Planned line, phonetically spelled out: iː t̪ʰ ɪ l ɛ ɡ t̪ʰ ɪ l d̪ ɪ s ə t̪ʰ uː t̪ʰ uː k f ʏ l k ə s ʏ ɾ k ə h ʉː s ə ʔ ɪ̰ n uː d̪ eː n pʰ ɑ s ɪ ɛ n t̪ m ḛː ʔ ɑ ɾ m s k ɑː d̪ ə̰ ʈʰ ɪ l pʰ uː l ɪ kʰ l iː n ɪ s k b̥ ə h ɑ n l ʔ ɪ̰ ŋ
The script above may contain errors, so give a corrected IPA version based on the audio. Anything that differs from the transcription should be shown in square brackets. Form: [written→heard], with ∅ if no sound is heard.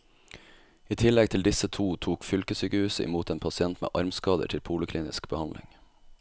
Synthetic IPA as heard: iː t̪ʰ ɪ l ɛ ɡ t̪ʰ ɪ l d̪ ɪ s ə t̪ʰ uː t̪ʰ uː k f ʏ l k ə s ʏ [ɾ→∅] k ə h ʉː s ə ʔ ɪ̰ [n→m] uː [d̪→t̪] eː n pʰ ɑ s ɪ ɛ n t̪ m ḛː ʔ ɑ ɾ m s k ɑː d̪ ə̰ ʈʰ ɪ l pʰ uː l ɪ kʰ l iː n ɪ s k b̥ ə h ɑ n l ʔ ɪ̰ ŋ